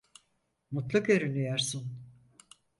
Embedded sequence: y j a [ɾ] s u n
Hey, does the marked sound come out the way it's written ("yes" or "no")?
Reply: yes